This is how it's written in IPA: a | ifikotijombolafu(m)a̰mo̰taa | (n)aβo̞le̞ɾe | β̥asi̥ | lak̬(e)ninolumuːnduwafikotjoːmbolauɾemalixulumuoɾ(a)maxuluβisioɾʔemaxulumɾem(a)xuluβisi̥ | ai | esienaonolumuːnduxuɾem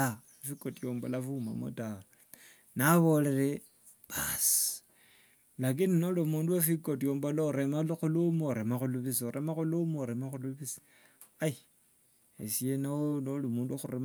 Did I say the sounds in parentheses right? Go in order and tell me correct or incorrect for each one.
correct, correct, incorrect: i, incorrect: e, correct

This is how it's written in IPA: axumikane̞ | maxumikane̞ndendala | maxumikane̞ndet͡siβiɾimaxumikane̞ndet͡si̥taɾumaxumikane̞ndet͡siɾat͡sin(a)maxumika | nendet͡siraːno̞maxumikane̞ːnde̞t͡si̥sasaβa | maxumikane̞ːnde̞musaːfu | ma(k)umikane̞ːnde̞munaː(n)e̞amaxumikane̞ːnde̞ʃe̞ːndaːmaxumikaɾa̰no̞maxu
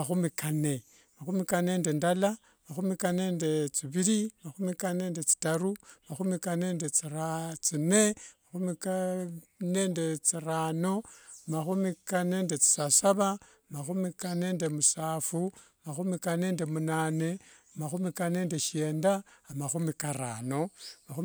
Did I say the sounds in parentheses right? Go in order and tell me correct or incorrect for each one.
incorrect: e, incorrect: x, correct

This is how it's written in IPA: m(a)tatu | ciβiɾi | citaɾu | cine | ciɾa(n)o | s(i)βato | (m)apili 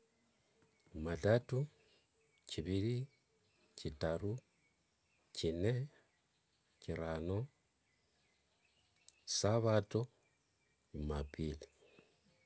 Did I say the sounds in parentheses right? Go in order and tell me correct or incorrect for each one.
correct, correct, incorrect: a, correct

